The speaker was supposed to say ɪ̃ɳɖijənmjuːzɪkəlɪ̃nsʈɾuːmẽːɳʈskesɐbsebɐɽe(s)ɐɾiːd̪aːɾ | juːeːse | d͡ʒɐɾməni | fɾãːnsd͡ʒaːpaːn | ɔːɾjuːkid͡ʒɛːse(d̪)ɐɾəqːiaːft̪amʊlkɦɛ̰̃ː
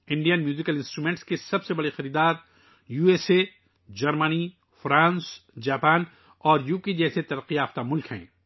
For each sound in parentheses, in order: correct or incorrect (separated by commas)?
incorrect, incorrect